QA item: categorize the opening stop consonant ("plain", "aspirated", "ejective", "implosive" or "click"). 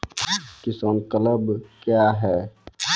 plain